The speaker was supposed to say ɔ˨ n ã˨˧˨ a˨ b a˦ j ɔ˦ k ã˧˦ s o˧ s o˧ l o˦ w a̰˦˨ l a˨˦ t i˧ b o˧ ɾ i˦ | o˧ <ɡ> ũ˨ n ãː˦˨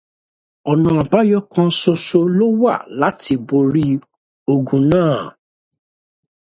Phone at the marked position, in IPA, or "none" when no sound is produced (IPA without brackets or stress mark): ɡ